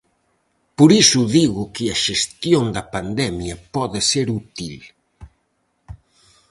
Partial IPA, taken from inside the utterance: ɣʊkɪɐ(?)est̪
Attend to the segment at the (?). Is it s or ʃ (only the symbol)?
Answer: ʃ